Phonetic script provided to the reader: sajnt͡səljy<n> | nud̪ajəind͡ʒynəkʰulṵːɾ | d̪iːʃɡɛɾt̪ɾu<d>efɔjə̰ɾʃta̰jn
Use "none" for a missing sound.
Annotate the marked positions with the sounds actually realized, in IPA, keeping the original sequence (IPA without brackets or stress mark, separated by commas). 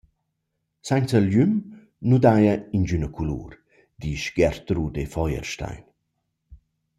m, d